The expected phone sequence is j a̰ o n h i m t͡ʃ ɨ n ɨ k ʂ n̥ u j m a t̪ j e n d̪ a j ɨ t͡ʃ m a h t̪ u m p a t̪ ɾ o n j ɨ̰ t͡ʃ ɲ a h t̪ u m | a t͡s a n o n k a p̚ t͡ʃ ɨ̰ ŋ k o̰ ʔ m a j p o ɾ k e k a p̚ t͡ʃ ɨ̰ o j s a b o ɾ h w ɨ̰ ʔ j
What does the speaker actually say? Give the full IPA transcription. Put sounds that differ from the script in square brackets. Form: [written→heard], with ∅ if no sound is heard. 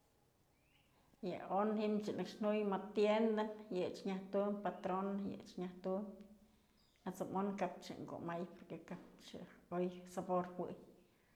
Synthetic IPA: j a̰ o n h i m t͡ʃ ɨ n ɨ k ʂ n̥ u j m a t̪ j e n d̪ a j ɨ t͡ʃ [m→ɲ] a h t̪ u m p a t̪ ɾ o n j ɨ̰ t͡ʃ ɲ a h t̪ u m | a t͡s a [n→m] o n k a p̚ t͡ʃ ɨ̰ ŋ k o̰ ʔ m a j p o ɾ k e k a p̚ t͡ʃ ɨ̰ o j s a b o ɾ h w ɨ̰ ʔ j